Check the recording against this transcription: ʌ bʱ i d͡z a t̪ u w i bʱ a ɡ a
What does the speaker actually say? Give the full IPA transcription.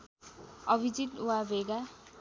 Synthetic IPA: ʌ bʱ i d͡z i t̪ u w a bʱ e ɡ a